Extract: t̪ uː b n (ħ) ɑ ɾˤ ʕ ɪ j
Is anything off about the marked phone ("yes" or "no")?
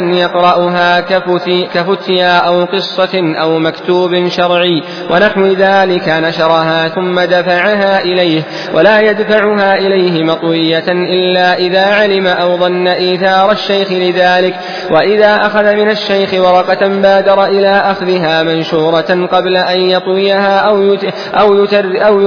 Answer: yes